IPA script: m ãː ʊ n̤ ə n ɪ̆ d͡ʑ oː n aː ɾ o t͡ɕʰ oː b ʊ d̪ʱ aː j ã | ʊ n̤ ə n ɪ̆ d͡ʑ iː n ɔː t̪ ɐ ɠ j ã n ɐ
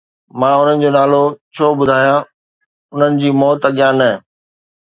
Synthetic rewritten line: m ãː ʊ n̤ ə n ɪ̆ d͡ʑ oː n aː l o t͡ɕʰ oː b ʊ d̪ʱ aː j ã | ʊ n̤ ə n ɪ̆ d͡ʑ iː m ɔː t̪ ɐ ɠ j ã n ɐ

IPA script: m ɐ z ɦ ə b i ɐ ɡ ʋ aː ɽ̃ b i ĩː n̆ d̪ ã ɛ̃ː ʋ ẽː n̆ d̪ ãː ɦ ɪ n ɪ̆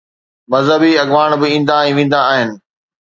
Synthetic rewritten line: m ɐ z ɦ ə b i ɐ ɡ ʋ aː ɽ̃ b ɪ ĩː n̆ d̪ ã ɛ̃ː ʋ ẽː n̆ d̪ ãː ɦ ɪ n ɪ̆

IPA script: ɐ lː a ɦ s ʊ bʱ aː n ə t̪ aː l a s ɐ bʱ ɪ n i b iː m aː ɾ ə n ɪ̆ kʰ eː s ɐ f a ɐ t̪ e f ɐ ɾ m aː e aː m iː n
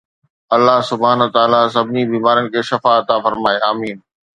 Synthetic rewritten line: ɐ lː a ɦ s ʊ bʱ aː n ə t̪ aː l a s ɐ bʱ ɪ n i b iː m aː ɾ ə n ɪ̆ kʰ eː ʃ ɐ f a ɐ t̪ a f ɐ ɾ m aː e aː m iː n

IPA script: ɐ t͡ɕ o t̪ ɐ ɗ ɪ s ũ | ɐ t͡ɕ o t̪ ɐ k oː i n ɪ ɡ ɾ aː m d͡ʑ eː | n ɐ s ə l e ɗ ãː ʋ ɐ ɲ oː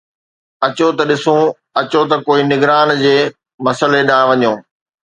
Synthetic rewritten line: ɐ t͡ɕ o t̪ ɐ ɗ ɪ s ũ | ɐ t͡ɕ o t̪ ɐ k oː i n ɪ ɡ ɾ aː n d͡ʑ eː | m ɐ s ə l e ɗ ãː ʋ ɐ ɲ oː

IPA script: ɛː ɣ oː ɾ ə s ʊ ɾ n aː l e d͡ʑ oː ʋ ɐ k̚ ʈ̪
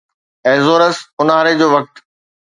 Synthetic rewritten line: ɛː z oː ɾ ə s ʊ n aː ɾ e d͡ʑ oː ʋ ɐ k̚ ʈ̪

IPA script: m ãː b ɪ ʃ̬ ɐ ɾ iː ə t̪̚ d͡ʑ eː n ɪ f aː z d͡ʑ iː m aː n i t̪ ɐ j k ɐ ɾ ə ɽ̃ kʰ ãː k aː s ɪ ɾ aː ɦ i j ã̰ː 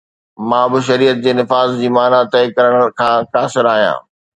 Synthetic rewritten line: m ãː b ɪ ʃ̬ ɐ ɾ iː ə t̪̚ d͡ʑ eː n ɪ f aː z d͡ʑ iː m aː n a t̪ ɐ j k ɐ ɾ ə ɽ̃ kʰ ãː k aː s ɪ ɾ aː ɦ i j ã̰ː

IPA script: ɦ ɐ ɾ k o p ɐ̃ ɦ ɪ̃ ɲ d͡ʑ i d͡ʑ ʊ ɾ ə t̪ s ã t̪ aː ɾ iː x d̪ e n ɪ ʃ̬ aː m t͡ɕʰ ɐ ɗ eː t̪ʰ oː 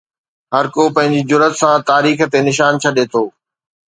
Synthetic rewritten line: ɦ ɐ ɾ k o p ɐ̃ ɦ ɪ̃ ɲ d͡ʑ i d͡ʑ ʊ ɾ ə t̪ s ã t̪ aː ɾ iː x t̪ e n ɪ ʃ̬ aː n t͡ɕʰ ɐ ɗ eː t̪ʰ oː

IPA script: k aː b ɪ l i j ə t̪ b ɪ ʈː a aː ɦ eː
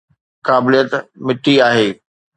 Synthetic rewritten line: k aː b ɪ l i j ə t̪ m ɪ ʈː i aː ɦ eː

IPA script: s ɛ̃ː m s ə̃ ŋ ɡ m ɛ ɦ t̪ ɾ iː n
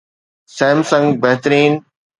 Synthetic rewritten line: s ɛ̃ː m s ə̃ ŋ ɡ b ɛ ɦ t̪ ɾ iː n

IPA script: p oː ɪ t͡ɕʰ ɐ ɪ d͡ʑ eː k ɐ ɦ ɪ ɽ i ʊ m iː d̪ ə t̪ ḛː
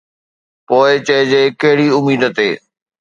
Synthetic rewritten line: p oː ɪ t͡ɕ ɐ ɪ d͡ʑ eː k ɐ ɦ ɪ ɽ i ʊ m iː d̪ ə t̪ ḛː

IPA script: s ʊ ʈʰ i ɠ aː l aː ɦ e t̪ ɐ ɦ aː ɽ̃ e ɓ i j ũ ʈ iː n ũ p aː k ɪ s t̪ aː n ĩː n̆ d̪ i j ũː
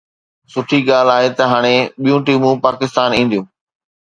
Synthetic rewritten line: s ʊ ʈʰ i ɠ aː l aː ɦ e t̪ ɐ ɦ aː ɽ̃ e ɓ i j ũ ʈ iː m ũ p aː k ɪ s t̪ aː n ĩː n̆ d̪ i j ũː

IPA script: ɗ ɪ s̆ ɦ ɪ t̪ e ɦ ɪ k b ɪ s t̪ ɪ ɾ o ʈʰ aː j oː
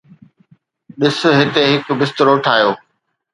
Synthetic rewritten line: ɗ ɪ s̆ ɦ ɪ t̪ e ɦ ɪ k b ɪ s t̪ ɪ ɾ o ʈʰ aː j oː

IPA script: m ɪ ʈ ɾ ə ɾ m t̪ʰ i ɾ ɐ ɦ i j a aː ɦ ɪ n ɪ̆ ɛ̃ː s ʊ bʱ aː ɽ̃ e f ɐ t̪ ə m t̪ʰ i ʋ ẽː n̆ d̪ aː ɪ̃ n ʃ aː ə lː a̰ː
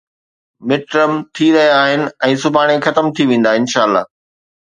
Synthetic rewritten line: m ɪ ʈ ɾ ə m t̪ʰ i ɾ ɐ ɦ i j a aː ɦ ɪ n ɪ̆ ɛ̃ː s ʊ bʱ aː ɽ̃ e x ɐ t̪ ə m t̪ʰ i ʋ ẽː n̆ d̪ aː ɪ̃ n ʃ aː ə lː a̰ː

